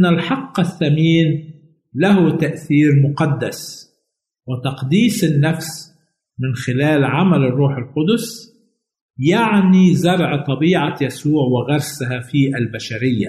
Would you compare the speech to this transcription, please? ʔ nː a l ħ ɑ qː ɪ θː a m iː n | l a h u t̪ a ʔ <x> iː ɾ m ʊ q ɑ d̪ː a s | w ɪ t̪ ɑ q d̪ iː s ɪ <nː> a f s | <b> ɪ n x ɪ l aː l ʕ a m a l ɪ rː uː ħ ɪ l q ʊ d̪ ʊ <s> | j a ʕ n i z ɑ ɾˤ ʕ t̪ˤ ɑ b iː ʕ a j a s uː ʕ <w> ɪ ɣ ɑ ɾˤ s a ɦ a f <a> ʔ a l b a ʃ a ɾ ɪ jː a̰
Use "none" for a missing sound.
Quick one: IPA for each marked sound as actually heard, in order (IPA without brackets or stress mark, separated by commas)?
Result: θ, nː, m, s, w, i